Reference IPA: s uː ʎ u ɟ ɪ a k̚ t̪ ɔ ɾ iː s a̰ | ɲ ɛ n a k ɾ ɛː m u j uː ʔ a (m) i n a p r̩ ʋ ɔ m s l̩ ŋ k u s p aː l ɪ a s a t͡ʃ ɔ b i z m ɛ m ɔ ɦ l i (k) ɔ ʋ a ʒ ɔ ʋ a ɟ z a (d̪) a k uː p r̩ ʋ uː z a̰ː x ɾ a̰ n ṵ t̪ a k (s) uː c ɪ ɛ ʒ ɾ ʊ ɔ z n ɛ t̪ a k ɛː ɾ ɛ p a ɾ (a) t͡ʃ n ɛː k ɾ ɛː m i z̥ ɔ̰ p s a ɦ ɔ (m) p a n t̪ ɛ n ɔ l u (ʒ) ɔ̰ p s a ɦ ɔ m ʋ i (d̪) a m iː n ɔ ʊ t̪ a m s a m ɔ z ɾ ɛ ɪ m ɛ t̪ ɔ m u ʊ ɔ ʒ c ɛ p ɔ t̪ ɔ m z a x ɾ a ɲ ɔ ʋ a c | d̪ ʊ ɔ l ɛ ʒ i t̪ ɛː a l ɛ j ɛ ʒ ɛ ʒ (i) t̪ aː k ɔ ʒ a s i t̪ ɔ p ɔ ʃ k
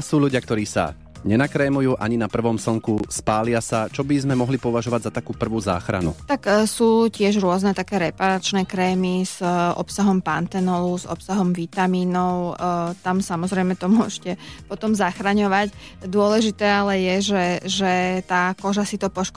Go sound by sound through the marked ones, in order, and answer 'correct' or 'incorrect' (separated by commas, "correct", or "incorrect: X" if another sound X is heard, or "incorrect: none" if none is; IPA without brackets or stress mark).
incorrect: ɲ, incorrect: p, incorrect: t̪, correct, correct, correct, incorrect: z, incorrect: t̪, incorrect: ɛ